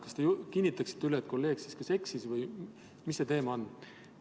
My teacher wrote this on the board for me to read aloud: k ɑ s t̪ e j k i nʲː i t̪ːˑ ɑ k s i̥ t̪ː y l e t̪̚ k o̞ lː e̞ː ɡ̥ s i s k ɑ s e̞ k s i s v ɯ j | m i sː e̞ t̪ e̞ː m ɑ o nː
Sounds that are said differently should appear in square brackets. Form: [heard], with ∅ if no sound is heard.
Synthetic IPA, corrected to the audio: k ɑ s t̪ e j k i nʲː i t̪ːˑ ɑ k s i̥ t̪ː y l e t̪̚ k o̞ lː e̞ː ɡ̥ s i s k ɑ s e̞ k s i s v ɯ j | m i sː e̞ t̪ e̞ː m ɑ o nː